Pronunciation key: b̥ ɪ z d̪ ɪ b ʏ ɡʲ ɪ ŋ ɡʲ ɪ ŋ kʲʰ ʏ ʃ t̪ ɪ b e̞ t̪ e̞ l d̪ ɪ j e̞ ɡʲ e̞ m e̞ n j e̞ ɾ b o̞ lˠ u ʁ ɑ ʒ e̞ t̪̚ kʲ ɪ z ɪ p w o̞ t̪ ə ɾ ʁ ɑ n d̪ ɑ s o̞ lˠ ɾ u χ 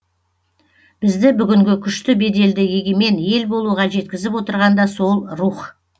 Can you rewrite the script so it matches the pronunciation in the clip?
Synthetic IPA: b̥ ɪ z d̪ ɪ b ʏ ɡʲ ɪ ŋ ɡʲ ɪ kʲʰ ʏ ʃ t̪ ɪ b e̞ d̪ e̞ l d̪ ɪ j e̞ ɡʲ e̞ m e̞ n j e̞ l b o̞ lˠ u ʁ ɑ ʒ e̞ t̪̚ kʲ ɪ z ɪ p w o̞ t̪ ə ɾ ʁ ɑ n d̪ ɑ s o̞ lˠ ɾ u χ